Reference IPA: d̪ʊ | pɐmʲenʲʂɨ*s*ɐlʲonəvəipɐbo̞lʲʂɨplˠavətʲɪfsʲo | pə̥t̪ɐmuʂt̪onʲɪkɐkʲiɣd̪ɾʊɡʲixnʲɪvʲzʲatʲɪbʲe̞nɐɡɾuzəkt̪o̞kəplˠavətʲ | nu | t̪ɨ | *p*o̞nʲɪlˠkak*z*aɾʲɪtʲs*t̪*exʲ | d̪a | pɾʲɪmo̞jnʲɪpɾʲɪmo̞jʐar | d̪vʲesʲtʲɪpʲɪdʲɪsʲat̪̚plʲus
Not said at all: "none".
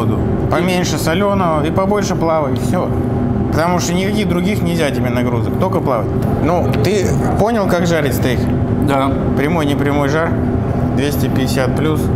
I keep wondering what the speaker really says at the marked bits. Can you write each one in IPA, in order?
s, p, ʐ, t̪

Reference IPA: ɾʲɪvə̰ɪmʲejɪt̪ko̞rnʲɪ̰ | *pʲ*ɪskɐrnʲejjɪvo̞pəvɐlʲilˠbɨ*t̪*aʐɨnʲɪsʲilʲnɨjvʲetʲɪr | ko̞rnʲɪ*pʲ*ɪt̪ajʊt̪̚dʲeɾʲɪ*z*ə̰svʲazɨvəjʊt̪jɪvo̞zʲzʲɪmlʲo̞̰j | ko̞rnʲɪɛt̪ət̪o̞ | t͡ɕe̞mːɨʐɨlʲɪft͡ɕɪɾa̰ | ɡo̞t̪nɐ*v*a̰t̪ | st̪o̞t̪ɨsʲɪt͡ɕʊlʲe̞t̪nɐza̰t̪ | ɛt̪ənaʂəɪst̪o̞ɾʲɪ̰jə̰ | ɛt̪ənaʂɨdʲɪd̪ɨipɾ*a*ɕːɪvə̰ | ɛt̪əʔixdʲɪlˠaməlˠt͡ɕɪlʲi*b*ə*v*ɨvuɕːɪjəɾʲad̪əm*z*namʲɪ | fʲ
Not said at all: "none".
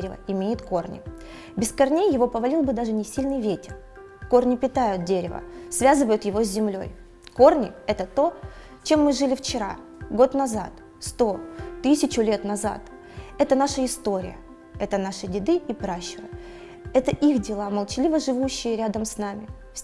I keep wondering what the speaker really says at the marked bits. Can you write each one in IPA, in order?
bʲ, d̪, pʲ, v, z, a, v, ʐ, s

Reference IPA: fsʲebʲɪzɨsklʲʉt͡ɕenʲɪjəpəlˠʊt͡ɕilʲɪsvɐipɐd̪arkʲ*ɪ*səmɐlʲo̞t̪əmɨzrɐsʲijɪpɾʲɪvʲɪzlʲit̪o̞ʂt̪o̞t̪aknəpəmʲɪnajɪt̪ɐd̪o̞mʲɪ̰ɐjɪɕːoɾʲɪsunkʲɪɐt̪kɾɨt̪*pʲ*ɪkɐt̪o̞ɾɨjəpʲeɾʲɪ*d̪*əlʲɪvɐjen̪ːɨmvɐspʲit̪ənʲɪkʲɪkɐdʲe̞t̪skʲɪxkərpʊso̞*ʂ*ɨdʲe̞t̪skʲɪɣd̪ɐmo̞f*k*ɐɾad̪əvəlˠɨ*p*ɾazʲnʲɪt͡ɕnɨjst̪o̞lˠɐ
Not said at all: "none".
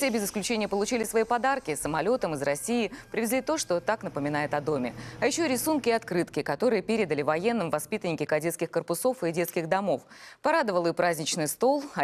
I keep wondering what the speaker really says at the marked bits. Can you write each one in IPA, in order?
ɪ, kʲ, d̪, f, p, p

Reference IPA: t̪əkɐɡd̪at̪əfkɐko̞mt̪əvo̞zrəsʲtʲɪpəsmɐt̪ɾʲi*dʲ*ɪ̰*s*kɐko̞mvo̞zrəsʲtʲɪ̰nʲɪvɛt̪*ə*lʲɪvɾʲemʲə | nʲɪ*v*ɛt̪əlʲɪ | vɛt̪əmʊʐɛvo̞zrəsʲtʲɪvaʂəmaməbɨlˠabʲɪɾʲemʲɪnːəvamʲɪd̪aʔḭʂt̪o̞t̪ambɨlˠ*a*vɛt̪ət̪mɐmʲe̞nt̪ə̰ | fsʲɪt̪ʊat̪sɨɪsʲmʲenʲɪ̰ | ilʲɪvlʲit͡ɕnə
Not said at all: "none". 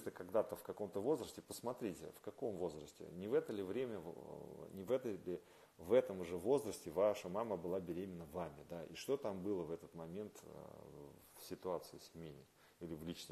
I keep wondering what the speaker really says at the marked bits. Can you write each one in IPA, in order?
tʲ, f, ə, v, ə

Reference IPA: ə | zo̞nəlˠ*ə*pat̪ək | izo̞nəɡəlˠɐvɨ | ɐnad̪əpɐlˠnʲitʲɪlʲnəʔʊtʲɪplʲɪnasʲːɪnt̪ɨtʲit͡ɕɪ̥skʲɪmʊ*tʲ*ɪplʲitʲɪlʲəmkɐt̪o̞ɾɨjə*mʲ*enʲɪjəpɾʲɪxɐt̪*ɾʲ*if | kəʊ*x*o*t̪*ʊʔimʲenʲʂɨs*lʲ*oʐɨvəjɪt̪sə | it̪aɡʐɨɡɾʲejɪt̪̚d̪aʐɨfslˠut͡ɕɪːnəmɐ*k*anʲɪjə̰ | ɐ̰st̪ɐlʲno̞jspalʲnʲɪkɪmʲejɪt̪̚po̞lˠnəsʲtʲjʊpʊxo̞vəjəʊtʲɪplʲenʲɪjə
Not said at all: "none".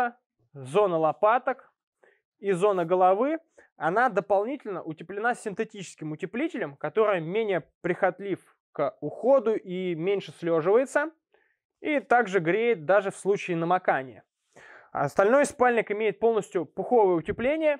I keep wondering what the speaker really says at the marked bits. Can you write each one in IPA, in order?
ɐ, tʲ, mʲ, lʲ, x, d̪, lʲ, k

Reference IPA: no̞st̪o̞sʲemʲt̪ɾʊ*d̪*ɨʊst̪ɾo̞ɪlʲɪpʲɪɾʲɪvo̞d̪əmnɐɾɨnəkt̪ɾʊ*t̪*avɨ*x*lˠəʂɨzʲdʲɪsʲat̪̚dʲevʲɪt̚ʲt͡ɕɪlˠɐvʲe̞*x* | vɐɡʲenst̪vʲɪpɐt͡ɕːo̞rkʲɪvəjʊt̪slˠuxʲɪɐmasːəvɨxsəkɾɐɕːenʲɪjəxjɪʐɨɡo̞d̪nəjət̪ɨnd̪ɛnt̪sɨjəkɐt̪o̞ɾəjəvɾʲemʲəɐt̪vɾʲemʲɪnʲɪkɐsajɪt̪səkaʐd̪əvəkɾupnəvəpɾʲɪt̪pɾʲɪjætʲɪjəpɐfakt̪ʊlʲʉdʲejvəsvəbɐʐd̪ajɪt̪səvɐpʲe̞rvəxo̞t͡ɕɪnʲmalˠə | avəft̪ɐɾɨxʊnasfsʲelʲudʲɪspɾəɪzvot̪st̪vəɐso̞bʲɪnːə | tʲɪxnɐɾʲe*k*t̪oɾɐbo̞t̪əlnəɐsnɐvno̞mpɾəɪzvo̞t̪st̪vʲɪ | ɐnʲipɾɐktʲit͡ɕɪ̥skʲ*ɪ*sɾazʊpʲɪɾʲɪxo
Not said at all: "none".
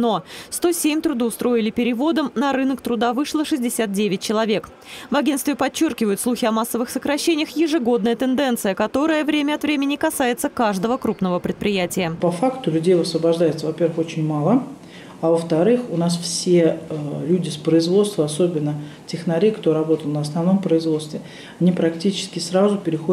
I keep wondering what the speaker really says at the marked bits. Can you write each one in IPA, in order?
d̪, d̪, ʂ, k, k, ɪ

